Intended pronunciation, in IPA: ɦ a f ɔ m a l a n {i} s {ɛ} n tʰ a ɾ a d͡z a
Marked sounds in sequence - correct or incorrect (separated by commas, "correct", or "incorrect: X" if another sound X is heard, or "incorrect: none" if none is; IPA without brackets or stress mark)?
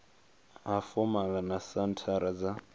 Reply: incorrect: a, incorrect: a